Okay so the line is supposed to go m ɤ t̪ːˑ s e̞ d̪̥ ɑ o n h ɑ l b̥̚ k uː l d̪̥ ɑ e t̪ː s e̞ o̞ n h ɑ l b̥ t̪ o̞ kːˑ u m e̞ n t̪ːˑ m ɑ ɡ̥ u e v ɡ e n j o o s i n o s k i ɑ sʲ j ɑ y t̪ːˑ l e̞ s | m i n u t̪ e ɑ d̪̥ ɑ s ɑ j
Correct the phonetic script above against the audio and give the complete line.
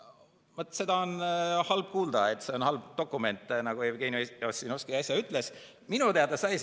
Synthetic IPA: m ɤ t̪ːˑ s e̞ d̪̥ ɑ o n h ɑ l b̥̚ k uː l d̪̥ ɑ e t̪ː s e̞ o̞ n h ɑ l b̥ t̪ o̞ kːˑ u m e̞ n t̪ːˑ n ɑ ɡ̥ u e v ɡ e n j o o s i n o s k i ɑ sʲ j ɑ y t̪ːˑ l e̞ s | m i n u t̪ e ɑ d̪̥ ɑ s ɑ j